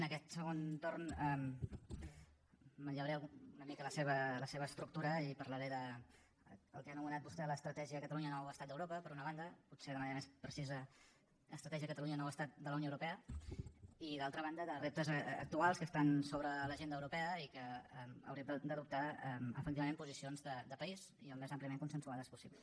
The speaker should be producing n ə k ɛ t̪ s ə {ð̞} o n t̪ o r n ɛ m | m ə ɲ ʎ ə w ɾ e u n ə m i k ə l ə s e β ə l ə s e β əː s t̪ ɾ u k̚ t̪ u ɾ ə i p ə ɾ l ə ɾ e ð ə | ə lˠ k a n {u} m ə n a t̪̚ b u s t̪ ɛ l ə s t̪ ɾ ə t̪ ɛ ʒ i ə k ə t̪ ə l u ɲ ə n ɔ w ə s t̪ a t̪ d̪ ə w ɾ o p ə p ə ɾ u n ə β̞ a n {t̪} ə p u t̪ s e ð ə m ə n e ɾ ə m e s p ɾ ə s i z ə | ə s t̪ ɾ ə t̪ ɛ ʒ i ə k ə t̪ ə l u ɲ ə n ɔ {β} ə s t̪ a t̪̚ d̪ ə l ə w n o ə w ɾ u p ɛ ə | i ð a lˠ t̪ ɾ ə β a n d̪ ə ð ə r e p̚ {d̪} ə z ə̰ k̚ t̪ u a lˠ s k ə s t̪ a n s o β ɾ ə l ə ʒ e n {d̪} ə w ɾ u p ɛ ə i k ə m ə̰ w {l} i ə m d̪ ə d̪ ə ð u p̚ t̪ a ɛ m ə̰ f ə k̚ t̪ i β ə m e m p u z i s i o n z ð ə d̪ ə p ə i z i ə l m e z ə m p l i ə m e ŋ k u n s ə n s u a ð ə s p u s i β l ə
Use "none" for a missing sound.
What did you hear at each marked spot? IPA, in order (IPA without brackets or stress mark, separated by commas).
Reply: ɣ̞, u, d̪, w, t̪, d̪, ɾ